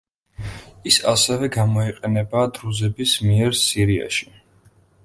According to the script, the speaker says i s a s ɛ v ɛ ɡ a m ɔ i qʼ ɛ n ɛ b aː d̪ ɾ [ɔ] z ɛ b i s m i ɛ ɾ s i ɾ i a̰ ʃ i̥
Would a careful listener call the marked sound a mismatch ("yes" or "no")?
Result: yes